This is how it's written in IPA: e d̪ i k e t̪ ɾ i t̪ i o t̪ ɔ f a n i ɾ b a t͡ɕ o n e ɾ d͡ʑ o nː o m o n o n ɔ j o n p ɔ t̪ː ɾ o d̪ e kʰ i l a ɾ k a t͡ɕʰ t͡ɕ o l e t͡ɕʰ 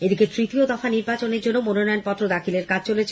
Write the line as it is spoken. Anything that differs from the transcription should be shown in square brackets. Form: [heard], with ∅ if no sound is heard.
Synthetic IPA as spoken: e d̪ i k e t̪ ɾ i t̪ i o [d̪] ɔ f a n i ɾ b a t͡ɕ o n e ɾ d͡ʑ o nː o m o n o n ɔ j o n p ɔ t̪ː ɾ o d̪ [a] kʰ i l [e] ɾ k a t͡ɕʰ t͡ɕ o l e t͡ɕʰ

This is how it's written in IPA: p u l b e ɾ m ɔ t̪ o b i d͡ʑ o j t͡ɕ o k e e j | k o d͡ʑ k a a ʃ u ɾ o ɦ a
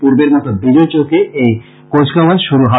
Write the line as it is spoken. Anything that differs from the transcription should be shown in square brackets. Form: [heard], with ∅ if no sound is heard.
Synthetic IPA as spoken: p u [ɾ] b e ɾ m ɔ t̪ o b i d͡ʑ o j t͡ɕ o k e e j | k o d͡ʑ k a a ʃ u ɾ [u] ɦ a

